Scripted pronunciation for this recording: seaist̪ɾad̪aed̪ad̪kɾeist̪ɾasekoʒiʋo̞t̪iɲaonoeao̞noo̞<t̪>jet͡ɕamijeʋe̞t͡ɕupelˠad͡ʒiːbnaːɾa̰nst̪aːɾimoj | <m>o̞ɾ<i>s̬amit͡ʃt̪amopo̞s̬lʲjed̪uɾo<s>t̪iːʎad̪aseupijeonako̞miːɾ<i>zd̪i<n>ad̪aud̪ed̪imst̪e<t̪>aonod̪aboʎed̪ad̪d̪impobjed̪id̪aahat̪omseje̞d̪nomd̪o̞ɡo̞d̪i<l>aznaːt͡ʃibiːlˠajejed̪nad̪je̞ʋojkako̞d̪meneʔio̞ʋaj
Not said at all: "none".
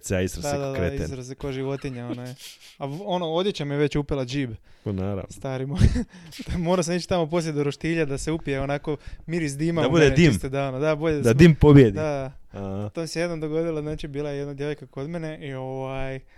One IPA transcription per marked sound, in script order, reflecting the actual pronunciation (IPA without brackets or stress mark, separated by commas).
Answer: d̪, m, a, ʃ, i, m, d̪, l